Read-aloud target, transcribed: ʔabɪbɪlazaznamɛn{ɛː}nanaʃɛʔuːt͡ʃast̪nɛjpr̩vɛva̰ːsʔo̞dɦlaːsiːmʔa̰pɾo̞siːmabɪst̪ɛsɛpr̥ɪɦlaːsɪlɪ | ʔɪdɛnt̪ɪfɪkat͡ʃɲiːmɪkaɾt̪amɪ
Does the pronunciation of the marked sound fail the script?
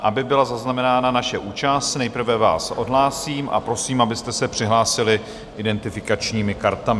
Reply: yes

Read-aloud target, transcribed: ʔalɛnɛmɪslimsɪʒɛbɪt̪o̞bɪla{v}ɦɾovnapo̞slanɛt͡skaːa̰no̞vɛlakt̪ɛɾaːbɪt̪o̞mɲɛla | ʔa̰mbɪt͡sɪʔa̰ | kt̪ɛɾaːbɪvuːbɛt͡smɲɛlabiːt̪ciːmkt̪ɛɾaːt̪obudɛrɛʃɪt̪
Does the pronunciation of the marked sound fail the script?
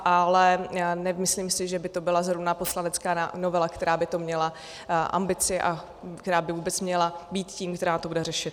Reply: yes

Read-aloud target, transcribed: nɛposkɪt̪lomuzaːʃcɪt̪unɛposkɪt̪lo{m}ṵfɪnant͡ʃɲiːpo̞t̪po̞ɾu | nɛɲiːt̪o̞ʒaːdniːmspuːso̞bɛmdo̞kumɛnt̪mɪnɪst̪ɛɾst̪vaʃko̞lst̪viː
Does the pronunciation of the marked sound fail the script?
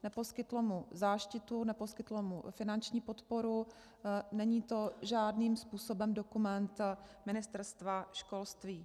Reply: no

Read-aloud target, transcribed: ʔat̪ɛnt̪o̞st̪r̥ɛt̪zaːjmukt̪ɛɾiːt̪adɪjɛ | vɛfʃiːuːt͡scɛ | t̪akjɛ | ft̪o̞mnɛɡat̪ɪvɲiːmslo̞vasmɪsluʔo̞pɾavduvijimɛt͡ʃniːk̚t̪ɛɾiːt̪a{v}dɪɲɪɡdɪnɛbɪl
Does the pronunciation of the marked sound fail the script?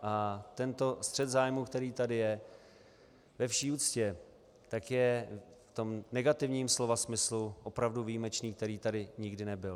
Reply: yes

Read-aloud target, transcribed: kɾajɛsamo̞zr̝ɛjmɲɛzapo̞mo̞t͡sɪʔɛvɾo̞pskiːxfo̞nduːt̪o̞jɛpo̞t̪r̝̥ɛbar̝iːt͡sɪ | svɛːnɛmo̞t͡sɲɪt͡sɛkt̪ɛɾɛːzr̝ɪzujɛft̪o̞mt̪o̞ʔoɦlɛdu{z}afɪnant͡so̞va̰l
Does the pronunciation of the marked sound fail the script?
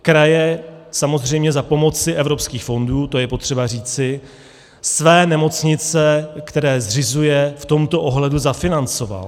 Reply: no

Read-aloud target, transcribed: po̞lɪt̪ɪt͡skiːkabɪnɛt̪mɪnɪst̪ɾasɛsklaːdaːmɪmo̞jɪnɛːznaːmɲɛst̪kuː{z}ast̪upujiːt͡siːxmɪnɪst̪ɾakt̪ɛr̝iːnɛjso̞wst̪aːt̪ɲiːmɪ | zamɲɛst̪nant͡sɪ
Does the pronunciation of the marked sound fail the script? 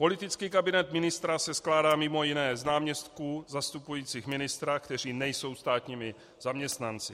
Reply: no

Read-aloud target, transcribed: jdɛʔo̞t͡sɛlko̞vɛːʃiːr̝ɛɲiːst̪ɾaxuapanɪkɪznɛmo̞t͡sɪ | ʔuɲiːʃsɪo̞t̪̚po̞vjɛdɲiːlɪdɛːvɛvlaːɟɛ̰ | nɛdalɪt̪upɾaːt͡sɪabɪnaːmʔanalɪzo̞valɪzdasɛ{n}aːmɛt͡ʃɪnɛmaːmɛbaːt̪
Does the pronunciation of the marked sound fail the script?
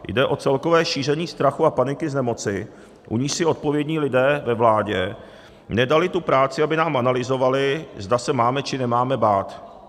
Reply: yes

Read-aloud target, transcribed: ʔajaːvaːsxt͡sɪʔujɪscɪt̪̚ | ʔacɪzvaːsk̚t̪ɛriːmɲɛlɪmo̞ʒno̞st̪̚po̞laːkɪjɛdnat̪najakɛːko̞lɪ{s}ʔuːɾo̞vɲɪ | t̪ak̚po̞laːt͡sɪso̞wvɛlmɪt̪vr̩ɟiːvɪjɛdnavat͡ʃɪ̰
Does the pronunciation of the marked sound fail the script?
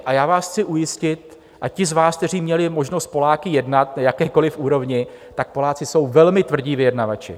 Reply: yes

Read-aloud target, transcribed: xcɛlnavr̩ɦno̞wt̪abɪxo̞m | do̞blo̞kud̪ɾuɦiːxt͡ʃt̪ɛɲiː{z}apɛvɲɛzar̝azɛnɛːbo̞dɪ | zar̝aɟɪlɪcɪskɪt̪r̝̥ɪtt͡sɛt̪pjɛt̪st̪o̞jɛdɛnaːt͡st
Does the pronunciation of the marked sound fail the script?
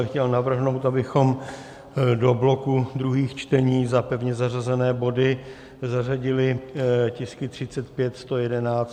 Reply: no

